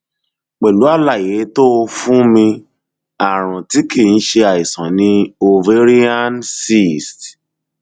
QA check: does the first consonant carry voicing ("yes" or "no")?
no